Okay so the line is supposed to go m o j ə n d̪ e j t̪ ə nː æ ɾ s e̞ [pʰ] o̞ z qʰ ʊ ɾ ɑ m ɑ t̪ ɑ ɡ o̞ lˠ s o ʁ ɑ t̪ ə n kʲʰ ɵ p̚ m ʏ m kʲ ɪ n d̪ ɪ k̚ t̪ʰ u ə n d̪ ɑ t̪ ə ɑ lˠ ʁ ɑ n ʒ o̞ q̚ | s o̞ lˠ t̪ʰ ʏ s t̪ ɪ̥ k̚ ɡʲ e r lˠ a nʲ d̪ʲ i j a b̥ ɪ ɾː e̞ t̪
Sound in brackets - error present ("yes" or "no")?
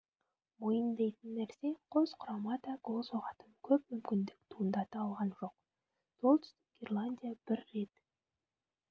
yes